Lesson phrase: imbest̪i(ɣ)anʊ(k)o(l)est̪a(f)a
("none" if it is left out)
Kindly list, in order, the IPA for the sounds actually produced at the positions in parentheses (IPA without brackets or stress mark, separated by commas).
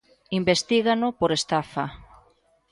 ɣ, p, ɾ, f